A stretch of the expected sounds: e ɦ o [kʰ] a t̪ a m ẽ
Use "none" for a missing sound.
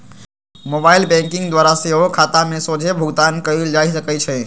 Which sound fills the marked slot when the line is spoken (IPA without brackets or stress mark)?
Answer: kʰ